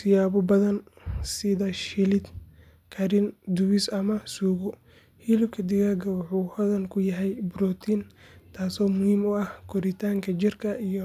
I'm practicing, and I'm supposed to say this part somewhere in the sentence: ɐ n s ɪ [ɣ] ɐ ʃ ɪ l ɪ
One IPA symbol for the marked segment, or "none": ð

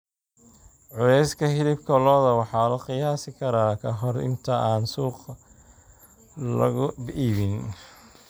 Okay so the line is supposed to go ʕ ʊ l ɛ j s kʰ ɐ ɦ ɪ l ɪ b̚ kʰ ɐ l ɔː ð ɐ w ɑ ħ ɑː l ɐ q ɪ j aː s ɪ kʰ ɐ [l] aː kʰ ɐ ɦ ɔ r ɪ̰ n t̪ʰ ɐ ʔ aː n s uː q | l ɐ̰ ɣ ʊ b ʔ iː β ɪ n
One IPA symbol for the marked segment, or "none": ɾ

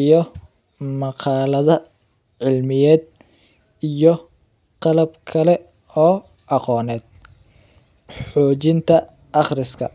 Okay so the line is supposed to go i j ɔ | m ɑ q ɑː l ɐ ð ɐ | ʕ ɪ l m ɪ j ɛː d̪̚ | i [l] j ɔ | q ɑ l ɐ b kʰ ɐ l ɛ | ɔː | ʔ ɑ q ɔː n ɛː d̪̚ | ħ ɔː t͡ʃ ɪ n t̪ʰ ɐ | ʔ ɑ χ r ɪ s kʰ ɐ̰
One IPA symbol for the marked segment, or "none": none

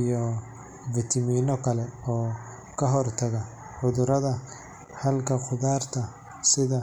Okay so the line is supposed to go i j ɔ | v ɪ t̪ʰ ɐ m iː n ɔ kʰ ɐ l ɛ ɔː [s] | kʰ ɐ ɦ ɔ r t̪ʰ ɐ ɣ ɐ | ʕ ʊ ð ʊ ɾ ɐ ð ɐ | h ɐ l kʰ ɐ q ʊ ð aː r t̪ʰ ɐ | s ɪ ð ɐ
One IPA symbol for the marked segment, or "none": none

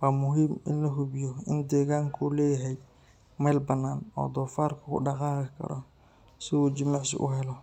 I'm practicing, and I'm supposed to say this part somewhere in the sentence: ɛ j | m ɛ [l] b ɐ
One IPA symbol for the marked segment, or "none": l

